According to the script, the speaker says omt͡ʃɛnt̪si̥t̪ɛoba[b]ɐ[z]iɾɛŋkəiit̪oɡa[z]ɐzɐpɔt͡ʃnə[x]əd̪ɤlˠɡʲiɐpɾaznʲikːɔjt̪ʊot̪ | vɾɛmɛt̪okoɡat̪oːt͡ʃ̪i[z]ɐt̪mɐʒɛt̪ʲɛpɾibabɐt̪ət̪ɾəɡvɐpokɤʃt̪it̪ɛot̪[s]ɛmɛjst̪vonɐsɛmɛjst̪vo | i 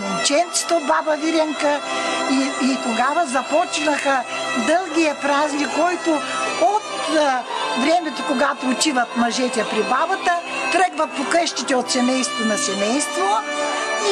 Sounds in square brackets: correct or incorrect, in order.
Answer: correct, incorrect, incorrect, correct, incorrect, correct

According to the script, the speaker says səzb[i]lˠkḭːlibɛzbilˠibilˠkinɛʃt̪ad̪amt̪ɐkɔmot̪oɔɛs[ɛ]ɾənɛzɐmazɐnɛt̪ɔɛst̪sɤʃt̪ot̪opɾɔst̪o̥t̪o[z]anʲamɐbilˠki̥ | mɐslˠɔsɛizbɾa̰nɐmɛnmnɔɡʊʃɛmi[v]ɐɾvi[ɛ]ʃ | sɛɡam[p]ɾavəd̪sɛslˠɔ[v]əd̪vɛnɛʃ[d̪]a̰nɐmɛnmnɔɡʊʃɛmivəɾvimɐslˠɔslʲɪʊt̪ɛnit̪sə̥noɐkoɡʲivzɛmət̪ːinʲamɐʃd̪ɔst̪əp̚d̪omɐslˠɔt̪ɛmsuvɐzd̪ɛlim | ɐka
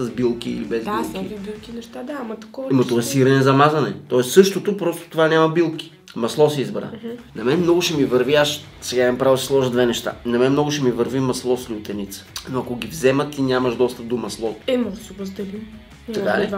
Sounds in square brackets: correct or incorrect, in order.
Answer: correct, incorrect, incorrect, correct, incorrect, correct, incorrect, incorrect

